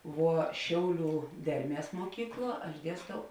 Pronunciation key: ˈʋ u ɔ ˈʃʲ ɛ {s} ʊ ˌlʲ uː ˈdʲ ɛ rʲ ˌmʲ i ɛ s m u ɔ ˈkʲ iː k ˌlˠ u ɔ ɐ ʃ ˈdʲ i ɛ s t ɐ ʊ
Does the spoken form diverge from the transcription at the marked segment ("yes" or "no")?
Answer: yes